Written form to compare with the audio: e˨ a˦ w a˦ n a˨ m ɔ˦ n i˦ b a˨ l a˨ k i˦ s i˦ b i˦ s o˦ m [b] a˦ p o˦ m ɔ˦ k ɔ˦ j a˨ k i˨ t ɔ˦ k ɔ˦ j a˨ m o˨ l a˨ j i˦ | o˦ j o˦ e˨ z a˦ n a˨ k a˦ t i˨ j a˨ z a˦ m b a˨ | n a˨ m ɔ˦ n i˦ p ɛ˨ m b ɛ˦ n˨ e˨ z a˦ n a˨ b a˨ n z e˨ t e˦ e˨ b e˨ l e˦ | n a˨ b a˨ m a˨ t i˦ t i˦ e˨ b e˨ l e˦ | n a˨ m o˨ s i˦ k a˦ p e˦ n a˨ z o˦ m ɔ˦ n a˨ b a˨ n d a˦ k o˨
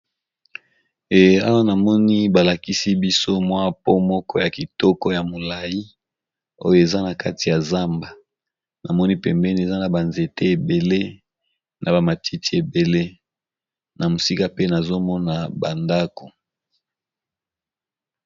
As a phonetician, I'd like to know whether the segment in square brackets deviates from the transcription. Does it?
yes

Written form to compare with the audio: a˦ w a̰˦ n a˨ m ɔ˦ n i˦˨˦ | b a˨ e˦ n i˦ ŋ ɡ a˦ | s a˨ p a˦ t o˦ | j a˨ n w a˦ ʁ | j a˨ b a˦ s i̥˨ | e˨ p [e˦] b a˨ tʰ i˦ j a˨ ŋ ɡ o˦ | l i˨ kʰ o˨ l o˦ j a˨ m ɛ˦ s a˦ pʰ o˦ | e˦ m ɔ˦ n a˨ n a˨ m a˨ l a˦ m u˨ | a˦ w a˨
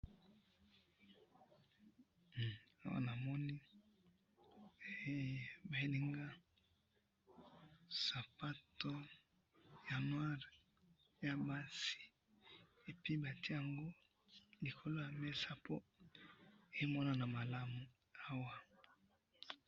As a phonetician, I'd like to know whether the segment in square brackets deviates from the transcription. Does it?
yes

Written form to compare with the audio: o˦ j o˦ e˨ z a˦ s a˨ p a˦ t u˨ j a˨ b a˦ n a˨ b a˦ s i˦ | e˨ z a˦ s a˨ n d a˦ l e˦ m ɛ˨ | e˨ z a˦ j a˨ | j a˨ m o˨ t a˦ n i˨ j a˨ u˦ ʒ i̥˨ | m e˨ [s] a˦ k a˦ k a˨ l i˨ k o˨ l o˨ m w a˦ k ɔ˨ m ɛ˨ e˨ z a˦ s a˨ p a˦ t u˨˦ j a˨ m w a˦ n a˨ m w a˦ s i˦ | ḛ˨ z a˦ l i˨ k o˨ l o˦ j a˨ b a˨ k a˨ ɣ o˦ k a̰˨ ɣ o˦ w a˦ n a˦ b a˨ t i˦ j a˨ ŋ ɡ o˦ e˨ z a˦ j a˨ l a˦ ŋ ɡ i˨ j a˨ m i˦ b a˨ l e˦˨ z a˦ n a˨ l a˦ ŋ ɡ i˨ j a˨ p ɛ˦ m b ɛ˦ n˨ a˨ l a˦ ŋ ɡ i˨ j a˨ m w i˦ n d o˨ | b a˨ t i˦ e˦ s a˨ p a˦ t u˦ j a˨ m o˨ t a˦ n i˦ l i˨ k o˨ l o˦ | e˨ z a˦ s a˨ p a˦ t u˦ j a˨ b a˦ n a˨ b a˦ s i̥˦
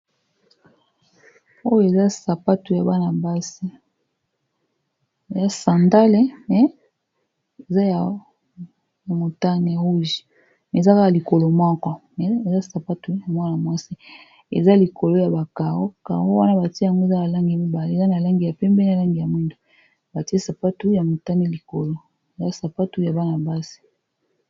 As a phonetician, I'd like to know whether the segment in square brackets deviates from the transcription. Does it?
yes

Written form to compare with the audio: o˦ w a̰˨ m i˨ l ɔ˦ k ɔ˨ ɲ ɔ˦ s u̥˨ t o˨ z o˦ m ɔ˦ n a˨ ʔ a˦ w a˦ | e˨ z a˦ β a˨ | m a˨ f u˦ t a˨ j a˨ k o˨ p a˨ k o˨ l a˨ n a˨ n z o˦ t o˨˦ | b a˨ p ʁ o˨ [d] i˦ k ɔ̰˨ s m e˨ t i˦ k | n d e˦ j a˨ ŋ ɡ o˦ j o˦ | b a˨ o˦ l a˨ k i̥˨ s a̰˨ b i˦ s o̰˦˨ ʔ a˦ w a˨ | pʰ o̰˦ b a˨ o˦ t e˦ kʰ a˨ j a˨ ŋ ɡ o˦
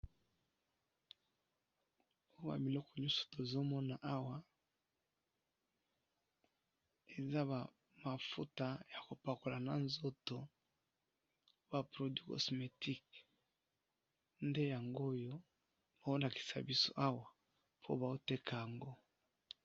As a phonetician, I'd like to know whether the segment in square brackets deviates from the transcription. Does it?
no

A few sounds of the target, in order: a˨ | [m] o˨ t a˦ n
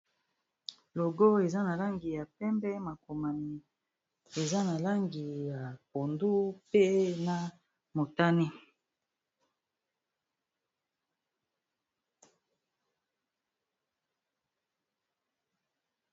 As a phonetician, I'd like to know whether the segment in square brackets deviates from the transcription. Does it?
no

